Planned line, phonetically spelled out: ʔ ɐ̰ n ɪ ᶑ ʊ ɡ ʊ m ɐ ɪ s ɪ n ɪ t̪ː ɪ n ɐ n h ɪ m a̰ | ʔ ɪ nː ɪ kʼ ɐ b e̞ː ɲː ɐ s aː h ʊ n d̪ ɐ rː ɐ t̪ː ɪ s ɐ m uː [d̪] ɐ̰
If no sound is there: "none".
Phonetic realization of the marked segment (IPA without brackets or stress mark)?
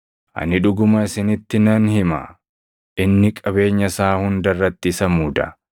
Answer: d̪